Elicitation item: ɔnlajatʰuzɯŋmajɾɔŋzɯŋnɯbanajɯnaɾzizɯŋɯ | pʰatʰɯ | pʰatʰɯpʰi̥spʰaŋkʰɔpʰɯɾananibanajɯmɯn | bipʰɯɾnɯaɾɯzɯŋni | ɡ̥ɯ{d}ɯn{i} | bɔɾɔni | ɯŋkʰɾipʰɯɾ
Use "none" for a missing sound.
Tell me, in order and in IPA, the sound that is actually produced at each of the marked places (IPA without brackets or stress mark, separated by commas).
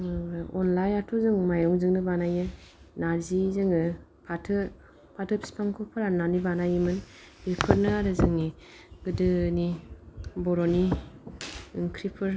d, i